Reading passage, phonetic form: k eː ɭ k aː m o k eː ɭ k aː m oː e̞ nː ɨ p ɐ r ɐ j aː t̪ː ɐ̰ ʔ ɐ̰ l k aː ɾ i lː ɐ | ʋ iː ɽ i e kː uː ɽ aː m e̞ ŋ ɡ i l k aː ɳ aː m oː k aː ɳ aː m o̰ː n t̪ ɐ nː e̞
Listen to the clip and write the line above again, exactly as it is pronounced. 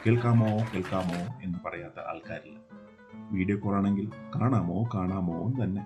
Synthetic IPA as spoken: k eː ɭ k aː m o k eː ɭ k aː m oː e̞ nː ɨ p ɐ r ɐ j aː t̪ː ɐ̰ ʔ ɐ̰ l k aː ɾ i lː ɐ | ʋ iː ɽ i e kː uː r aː ɳ e̞ ŋ ɡ i l k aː ɳ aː m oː k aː ɳ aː m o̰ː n t̪ ɐ nː e̞